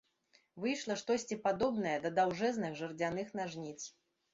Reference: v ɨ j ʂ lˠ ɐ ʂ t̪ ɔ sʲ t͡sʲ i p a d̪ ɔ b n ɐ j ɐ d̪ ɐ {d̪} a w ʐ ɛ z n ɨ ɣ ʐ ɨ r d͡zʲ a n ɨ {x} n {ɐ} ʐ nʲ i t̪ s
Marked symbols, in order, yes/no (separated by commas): yes, yes, no